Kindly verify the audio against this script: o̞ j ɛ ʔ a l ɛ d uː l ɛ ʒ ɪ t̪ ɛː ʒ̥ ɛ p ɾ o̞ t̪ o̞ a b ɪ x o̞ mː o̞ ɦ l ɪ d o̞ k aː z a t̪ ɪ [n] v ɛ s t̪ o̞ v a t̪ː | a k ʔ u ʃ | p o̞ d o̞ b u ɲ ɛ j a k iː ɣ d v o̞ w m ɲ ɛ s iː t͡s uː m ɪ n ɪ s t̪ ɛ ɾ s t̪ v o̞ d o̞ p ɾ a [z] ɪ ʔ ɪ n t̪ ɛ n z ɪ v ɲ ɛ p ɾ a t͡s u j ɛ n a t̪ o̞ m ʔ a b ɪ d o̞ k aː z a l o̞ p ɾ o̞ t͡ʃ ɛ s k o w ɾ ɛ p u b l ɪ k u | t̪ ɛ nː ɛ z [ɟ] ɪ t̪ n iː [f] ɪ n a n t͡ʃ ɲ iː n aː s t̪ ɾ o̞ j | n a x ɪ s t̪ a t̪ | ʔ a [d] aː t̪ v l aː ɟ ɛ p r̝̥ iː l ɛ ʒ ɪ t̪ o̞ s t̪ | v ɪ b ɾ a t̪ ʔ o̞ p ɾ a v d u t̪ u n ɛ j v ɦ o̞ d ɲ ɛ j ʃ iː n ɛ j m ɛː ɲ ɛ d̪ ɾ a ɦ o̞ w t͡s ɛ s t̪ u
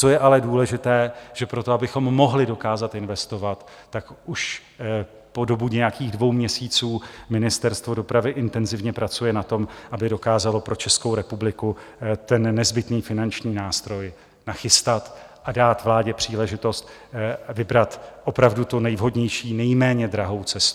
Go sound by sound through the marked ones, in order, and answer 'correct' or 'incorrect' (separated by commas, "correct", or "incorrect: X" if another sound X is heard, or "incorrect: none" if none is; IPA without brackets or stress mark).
correct, incorrect: v, incorrect: b, correct, correct